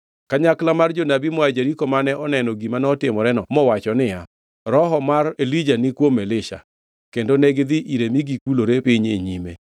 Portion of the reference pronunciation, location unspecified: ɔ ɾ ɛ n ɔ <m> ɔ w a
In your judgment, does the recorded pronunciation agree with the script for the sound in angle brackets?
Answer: yes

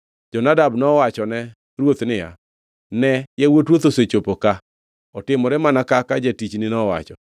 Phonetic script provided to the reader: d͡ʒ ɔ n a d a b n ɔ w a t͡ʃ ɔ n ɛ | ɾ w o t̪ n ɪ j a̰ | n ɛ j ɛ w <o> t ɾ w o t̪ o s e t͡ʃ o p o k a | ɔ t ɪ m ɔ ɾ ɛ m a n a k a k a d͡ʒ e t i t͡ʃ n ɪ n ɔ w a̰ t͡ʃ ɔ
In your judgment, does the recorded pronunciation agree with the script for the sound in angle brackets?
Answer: yes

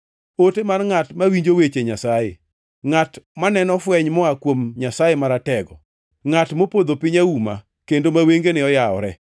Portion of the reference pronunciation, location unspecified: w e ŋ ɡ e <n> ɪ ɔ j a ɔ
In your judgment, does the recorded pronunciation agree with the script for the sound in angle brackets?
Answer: yes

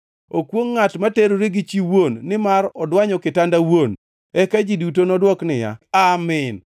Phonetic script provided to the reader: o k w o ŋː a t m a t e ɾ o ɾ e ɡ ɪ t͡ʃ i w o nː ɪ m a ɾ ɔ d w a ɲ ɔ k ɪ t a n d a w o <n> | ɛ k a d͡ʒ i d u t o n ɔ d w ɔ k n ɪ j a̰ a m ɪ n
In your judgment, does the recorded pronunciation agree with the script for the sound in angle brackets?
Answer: yes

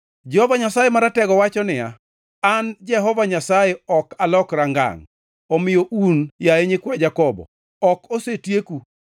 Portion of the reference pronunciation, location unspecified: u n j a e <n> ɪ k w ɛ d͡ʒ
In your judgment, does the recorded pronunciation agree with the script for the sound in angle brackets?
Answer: no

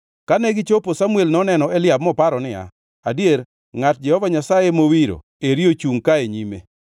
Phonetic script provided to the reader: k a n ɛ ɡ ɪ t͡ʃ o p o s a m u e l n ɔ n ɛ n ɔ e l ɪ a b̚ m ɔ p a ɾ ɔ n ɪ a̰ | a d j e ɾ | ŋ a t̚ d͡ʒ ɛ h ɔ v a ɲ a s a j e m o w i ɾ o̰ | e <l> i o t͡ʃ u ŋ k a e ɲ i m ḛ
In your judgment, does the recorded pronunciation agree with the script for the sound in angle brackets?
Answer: no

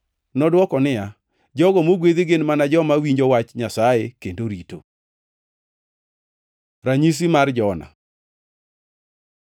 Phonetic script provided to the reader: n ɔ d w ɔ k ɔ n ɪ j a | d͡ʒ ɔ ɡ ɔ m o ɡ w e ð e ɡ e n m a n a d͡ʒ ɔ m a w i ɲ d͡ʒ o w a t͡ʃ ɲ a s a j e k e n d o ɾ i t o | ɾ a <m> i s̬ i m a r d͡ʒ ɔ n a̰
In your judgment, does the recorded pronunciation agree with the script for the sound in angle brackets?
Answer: no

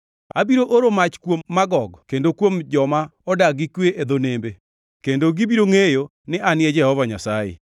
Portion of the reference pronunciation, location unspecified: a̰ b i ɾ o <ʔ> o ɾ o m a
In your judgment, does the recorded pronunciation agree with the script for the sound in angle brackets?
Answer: yes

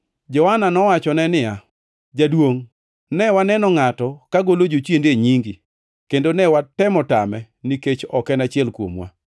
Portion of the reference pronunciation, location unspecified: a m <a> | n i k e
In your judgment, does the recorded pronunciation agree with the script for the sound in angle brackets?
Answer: no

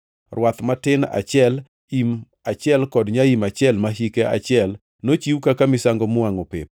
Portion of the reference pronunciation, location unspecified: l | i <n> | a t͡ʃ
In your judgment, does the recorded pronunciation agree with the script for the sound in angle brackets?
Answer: no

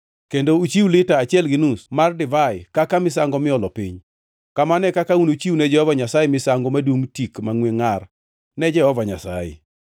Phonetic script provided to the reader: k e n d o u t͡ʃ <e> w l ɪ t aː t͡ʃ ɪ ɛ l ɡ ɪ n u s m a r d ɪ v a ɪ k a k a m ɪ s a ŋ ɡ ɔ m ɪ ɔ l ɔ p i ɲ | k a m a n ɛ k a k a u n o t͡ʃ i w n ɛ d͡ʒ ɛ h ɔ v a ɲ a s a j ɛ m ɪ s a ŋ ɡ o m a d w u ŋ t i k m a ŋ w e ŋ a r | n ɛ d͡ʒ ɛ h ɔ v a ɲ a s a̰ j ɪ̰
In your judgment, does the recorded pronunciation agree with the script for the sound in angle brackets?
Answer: no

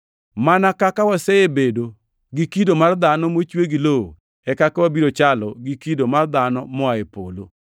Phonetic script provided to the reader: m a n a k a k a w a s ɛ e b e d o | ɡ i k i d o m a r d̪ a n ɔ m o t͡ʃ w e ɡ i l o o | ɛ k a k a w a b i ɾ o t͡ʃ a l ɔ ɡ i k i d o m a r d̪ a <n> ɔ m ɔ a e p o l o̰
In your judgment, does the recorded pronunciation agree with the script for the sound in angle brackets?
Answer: yes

